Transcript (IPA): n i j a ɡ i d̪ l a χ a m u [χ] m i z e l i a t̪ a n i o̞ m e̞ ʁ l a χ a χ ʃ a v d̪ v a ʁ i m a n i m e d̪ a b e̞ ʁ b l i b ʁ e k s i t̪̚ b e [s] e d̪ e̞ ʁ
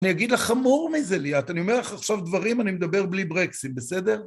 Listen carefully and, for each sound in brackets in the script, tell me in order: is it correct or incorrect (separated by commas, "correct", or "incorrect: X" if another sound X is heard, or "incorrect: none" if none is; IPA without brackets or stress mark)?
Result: incorrect: ʁ, correct